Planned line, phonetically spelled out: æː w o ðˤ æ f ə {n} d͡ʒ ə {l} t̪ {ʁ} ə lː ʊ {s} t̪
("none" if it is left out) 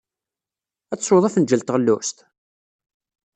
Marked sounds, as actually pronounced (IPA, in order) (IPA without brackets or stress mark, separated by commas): n, l, ʁ, s